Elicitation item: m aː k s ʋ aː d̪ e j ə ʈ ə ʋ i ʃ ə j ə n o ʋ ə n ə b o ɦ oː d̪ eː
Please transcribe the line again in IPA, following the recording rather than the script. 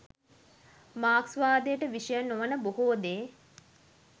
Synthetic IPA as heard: m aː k s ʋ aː d̪ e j ə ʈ ə ʋ i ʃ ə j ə n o ʋ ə n ə b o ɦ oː d̪ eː